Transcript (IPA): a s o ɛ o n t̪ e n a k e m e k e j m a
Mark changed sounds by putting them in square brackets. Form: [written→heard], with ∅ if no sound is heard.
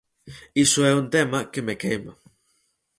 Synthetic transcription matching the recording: [a→i] s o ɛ [o→u] n t̪ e [n→m] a k e m e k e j m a